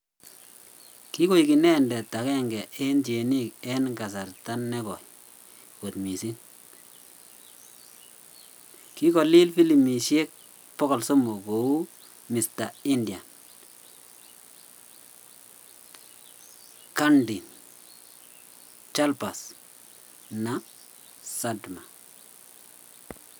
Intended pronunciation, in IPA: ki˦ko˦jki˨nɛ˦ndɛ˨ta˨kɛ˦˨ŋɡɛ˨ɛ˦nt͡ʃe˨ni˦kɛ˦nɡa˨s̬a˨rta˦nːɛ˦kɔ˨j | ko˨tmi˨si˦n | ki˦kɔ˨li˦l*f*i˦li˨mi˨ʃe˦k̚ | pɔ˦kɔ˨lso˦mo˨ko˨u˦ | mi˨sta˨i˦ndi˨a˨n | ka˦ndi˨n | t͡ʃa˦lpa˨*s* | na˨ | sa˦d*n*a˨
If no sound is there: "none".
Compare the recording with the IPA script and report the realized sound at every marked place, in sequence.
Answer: f, s, m

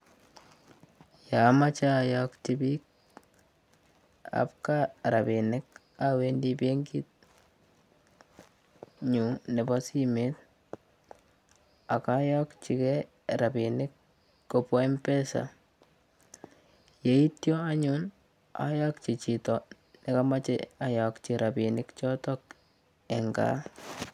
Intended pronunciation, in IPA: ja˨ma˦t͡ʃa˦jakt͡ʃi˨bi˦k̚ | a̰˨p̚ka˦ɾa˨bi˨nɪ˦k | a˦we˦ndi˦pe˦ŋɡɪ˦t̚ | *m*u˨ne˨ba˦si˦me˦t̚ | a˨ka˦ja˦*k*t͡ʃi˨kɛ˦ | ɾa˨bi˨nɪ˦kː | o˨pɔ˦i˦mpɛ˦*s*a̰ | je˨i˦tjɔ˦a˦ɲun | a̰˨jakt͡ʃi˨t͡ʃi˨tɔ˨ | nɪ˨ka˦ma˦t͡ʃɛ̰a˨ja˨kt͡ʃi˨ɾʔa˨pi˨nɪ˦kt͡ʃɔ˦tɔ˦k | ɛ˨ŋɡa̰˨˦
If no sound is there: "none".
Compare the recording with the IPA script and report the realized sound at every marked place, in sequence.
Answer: ɲ, k, s

